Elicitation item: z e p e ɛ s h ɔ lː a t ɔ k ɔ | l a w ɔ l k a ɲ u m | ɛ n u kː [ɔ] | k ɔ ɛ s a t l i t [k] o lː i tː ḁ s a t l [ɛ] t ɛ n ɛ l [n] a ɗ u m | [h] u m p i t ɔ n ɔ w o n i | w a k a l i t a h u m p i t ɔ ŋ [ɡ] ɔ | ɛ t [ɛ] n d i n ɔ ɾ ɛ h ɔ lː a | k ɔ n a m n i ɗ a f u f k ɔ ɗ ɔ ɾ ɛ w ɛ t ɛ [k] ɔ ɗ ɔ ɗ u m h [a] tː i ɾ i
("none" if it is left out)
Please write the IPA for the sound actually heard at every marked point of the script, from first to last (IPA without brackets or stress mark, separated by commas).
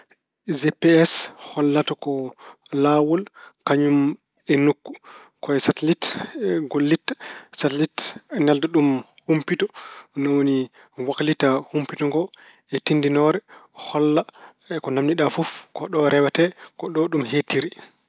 u, ɡ, i, d, h, ɡ, i, k, e